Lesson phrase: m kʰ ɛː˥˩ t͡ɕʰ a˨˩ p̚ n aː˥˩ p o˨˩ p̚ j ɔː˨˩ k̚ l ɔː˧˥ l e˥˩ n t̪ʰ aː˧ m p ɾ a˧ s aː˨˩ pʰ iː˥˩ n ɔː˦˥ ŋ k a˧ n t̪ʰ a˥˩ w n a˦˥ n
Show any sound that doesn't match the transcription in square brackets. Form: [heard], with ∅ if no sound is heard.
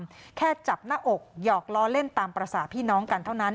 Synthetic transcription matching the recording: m kʰ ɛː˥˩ [t͡ɕ] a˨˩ p̚ n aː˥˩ [ʔ] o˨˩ [k̚] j ɔː˨˩ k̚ l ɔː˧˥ l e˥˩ n [t̪] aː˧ m p ɾ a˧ s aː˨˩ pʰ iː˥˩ n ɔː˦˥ ŋ k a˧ n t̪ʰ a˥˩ w n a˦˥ n

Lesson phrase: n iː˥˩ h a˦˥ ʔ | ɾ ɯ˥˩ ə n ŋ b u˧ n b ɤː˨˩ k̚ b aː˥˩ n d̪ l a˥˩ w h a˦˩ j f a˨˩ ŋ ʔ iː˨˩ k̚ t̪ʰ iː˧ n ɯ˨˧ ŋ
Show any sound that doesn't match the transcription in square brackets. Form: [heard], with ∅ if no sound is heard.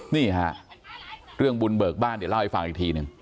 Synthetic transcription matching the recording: n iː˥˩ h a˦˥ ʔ | ɾ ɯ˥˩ ə [∅] ŋ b u˧ n b ɤː˨˩ k̚ b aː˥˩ n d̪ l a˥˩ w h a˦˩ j f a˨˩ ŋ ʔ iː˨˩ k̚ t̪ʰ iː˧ n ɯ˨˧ ŋ

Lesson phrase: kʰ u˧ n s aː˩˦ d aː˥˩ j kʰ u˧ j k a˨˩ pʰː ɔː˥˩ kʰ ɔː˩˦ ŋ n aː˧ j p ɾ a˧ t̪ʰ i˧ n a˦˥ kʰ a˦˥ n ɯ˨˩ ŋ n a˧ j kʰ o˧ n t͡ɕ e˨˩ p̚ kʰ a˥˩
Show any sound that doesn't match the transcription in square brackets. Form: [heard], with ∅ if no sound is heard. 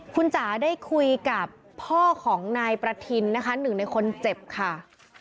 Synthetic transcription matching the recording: kʰ u˧ n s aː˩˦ d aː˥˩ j kʰ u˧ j k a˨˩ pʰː ɔː˥˩ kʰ ɔː˩˦ ŋ n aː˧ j p ɾ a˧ t̪ʰ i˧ [nː] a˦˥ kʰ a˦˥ n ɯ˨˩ ŋ n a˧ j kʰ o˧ n t͡ɕ e˨˩ p̚ kʰ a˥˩

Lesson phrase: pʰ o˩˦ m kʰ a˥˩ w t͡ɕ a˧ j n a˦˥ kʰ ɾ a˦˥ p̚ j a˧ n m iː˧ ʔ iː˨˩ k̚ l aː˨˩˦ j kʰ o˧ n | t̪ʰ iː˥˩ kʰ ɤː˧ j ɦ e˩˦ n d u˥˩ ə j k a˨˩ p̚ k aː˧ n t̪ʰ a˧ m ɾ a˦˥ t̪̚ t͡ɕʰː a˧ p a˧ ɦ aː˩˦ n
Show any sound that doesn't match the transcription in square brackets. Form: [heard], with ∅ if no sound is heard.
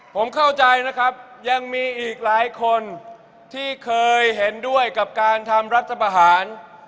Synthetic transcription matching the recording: pʰ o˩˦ m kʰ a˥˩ w t͡ɕ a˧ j n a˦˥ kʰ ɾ a˦˥ p̚ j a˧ [ŋ] m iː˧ ʔ iː˨˩ k̚ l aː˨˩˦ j kʰ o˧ n | t̪ʰ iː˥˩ kʰ ɤː˧ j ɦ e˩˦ n d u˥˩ ə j k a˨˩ p̚ k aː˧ n t̪ʰ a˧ m ɾ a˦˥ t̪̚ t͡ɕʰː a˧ p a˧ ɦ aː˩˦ n

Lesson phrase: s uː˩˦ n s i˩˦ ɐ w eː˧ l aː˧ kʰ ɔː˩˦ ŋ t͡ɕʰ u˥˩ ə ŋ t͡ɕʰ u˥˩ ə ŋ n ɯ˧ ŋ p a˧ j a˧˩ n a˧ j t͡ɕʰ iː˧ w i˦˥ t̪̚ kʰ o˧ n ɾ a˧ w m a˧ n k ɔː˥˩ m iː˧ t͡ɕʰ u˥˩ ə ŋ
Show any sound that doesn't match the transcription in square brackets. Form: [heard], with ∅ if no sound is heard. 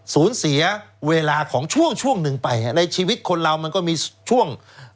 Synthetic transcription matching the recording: s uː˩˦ n s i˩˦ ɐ w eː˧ l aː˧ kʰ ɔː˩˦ ŋ t͡ɕʰ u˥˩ ə ŋ t͡ɕʰ u˥˩ ə ŋ n ɯ˧ ŋ p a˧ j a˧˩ n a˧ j t͡ɕʰ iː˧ w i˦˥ t̪̚ kʰ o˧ n ɾ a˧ w m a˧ n k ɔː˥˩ m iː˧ t͡ɕʰ u˥˩ ə ŋ

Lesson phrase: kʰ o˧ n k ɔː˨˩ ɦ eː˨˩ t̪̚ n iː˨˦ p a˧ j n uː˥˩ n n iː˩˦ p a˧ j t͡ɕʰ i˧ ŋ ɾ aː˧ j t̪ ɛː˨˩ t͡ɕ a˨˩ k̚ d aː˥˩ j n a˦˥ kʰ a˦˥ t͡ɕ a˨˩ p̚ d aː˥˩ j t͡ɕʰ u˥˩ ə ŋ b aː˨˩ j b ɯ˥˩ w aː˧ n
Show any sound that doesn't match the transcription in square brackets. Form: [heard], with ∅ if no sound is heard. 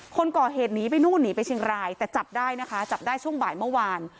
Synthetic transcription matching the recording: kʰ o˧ n k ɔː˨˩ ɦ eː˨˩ t̪̚ n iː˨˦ p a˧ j n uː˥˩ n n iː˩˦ p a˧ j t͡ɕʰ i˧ ŋ ɾ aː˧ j t̪ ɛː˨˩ t͡ɕ a˨˩ [p̚] d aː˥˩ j n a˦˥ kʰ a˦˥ t͡ɕ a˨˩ p̚ d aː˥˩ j t͡ɕʰ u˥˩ ə ŋ b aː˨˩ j [m] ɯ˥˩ w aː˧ n

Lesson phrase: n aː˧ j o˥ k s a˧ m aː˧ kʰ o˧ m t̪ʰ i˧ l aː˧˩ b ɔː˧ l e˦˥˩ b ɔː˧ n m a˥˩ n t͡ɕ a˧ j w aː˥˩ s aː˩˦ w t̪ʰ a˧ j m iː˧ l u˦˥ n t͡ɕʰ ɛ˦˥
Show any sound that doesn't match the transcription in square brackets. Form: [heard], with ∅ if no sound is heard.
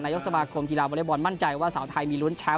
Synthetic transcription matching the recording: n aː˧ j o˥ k s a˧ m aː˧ kʰ o˧ m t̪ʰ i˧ l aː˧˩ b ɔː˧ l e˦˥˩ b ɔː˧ n m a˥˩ n t͡ɕ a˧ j w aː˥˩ s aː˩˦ w t̪ʰ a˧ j m iː˧ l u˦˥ n t͡ɕʰ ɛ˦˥

